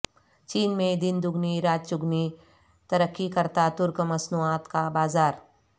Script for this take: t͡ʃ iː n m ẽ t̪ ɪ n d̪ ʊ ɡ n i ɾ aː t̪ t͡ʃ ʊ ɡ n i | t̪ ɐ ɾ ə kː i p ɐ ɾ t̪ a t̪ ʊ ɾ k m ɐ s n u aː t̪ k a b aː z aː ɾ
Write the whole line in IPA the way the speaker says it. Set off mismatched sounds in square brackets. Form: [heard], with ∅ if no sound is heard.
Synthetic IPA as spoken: t͡ʃ iː n m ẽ [d̪] ɪ n d̪ ʊ ɡ n i ɾ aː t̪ t͡ʃ ʊ ɡ n i | t̪ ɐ ɾ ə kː i [k] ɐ ɾ t̪ a t̪ ʊ ɾ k m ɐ s n u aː t̪ k a b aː z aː ɾ